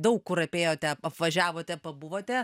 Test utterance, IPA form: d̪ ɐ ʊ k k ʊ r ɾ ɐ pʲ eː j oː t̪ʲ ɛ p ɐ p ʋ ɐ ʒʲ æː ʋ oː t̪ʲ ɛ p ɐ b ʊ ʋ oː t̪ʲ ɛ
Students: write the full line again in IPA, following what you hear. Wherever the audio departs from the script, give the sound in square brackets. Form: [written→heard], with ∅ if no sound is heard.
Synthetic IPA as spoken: d̪ ɐ ʊ k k ʊ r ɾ ɐ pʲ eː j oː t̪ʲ ɛ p ɐ p ʋ ɐ ʒʲ æː ʋ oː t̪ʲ ɛ p ɐ b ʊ ʋ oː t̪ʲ ɛ